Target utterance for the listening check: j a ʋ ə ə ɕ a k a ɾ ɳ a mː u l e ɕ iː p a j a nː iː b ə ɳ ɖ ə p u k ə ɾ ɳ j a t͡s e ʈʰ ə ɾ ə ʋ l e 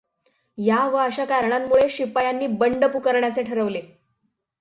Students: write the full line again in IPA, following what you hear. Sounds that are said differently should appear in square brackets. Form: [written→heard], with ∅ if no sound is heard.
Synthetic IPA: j a ʋ ə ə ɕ a k a ɾ ɳ a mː u [l→ɭ] e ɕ [iː→i] p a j a nː iː b ə ɳ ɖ ə p u k ə ɾ ɳ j a t͡s e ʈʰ ə ɾ ə ʋ l e